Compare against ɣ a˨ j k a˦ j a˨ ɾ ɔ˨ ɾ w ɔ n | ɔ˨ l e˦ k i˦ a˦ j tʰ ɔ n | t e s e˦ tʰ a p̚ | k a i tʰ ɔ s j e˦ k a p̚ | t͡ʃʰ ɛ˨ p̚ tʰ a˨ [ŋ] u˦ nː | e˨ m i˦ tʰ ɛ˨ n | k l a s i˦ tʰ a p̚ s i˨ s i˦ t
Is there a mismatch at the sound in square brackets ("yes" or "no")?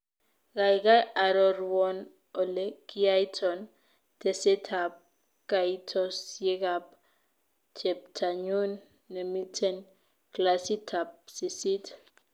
yes